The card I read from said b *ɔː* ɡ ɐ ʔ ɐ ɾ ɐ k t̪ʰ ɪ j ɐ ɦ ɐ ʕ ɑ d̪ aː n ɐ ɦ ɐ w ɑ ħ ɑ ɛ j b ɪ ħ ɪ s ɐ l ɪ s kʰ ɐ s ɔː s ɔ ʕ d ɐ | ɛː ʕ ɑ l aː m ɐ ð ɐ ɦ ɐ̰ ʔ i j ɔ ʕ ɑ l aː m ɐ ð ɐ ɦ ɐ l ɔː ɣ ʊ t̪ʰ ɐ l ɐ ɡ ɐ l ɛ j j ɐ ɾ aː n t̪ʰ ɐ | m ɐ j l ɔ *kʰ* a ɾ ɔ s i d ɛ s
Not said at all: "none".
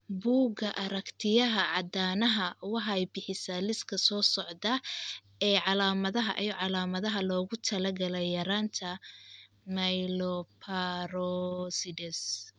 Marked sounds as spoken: uː, pʰ

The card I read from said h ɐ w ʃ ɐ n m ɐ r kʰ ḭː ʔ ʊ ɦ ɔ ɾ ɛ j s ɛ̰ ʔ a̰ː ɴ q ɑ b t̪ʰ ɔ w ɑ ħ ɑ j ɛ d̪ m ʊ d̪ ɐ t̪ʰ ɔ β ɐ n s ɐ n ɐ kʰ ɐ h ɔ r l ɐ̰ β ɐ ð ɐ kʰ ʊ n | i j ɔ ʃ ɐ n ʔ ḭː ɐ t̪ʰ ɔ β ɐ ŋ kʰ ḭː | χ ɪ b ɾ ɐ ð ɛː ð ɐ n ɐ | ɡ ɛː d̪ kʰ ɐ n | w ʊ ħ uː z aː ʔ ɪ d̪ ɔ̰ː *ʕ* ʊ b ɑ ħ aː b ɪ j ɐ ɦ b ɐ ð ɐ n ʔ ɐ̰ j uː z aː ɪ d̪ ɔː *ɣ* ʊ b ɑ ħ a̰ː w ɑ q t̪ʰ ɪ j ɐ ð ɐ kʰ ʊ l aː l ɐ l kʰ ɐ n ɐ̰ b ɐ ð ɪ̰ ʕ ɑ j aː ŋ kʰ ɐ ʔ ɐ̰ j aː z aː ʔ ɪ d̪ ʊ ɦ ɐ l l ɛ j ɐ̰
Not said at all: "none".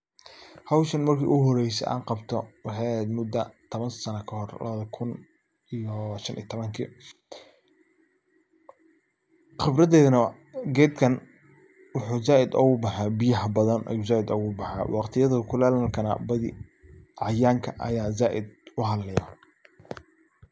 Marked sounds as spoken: ɣ, ɣ

